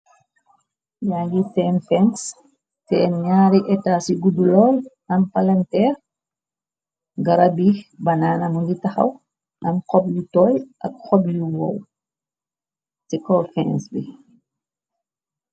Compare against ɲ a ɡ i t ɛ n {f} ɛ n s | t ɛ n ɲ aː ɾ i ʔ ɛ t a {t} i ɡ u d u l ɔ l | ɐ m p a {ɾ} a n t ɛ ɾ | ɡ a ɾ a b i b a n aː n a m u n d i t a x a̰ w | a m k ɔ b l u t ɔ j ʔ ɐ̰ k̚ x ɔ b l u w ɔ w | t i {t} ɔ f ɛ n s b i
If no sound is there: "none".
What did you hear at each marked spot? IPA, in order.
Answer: f, s, l, k

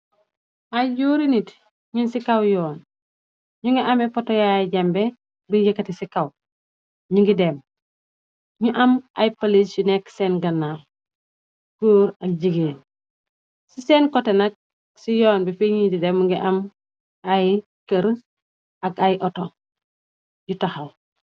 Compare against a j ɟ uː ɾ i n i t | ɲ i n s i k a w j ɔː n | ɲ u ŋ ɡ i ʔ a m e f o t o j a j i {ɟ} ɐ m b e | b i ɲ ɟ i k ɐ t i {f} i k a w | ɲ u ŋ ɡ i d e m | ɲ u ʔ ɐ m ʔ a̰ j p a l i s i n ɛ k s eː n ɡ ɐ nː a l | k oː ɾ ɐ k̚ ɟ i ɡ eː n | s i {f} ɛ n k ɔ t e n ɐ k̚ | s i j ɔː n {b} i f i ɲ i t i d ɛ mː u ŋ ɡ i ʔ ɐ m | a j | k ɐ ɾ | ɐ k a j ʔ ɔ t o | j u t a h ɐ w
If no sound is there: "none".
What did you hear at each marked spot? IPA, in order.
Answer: ɟ, s, s, b

